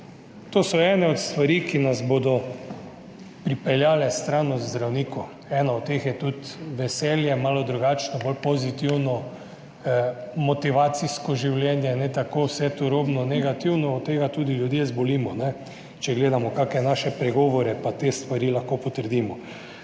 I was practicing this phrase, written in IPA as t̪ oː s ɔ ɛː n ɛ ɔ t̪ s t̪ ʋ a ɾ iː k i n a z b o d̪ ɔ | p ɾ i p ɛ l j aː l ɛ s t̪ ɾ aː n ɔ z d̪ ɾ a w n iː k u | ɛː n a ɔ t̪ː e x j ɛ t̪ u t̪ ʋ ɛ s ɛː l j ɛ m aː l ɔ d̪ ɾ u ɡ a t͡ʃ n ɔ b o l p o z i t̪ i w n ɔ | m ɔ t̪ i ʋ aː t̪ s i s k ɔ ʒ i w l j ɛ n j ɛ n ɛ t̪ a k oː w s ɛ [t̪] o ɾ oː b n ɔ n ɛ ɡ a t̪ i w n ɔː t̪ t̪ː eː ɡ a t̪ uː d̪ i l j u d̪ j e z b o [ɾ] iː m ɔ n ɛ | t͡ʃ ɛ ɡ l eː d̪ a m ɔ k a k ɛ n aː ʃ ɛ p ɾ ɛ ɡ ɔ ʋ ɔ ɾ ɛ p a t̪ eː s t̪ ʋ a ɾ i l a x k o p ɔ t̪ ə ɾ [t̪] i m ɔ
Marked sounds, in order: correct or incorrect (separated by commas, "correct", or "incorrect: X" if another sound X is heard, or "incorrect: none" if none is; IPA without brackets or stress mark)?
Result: correct, incorrect: l, incorrect: d̪